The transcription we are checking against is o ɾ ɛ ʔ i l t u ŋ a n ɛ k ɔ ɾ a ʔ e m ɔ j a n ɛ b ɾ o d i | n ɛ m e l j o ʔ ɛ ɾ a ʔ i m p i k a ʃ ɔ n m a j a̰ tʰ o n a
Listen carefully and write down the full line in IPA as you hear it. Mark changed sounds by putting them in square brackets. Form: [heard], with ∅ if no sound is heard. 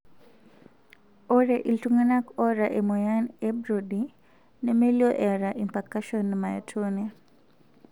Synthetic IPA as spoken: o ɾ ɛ ʔ i l t u ŋ a n [a] k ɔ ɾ a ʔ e m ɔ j a n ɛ b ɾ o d i | n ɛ m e l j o ʔ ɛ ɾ a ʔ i m p [a] k a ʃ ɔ n m a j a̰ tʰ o n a